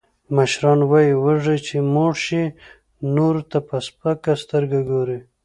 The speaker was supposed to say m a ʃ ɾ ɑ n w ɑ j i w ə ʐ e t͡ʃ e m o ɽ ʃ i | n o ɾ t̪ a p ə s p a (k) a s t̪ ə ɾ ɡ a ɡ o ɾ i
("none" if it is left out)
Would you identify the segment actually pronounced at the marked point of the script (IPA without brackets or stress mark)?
k